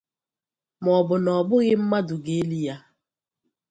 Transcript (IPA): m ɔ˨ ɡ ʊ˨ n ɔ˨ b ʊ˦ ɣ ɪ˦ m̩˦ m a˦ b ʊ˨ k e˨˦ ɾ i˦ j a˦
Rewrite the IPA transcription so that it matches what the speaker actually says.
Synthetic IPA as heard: m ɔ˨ b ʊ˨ n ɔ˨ b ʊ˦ ɣ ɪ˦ m̩˦ m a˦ d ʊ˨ ɡ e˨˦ l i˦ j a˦